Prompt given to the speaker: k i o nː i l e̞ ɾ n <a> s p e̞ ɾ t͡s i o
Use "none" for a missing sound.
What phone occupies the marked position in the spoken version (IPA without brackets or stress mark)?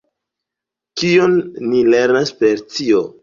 a